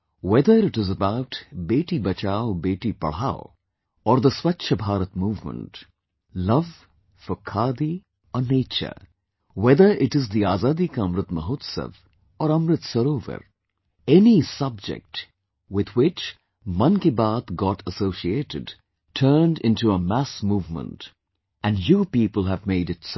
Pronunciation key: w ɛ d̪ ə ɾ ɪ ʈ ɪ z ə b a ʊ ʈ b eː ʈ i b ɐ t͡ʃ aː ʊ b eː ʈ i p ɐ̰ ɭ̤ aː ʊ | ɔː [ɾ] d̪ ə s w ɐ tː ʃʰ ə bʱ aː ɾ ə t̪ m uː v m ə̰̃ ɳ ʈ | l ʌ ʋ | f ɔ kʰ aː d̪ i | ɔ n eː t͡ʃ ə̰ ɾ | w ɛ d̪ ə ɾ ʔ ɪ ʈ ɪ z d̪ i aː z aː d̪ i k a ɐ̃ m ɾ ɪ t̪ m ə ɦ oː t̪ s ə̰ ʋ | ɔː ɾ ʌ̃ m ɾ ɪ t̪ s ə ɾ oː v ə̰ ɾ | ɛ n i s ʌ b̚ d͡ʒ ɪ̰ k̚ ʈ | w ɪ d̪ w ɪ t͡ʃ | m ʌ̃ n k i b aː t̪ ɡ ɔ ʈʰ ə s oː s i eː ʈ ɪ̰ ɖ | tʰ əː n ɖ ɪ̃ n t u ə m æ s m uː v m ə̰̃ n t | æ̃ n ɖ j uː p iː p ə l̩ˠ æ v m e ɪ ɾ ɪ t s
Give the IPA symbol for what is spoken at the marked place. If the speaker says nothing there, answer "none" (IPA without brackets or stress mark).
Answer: ɾ